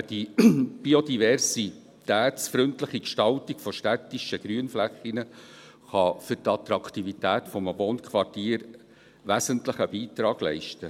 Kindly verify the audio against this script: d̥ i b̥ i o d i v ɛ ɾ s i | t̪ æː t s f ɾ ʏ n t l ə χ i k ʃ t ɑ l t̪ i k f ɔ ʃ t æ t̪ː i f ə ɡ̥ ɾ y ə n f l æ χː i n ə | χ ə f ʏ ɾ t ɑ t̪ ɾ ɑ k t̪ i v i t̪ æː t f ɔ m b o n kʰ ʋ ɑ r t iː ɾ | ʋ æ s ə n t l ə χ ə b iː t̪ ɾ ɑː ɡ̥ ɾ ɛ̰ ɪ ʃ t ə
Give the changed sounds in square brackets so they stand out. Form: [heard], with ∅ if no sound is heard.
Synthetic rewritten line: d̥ i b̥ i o d i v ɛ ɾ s i | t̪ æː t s f ɾ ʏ n t l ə χ i k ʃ t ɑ l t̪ i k f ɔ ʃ t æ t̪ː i [ʃ] ə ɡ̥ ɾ y ə n f l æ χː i n ə | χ [ɑ] f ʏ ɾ t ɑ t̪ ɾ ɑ k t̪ i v i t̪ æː t f ɔ m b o n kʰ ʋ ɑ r t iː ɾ | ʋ æ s ə n t l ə χ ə b iː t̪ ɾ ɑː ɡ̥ [l] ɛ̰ ɪ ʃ t ə